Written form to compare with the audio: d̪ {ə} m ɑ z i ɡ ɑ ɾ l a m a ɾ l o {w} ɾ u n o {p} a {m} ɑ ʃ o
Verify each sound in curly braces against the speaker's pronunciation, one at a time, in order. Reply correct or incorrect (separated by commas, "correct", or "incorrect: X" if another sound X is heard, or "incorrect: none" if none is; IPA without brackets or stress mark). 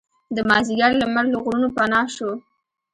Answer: correct, incorrect: ɣ, correct, incorrect: n